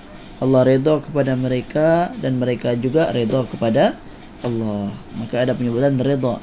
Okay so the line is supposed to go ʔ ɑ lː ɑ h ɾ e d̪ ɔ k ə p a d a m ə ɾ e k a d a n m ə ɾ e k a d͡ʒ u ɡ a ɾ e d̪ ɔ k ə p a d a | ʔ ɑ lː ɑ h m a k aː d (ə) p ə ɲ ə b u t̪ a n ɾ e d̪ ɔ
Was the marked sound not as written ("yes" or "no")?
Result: yes